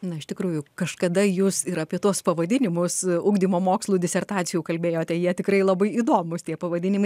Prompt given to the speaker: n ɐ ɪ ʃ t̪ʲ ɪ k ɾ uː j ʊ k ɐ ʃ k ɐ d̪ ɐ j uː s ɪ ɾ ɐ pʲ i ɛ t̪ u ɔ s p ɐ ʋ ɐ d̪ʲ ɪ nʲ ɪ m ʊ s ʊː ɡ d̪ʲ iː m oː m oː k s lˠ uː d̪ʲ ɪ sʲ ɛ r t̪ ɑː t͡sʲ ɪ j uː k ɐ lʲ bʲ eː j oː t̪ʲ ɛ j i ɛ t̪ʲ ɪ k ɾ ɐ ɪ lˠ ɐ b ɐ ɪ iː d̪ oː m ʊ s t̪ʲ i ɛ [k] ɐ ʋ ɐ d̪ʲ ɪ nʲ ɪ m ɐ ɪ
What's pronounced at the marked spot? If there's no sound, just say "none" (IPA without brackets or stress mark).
p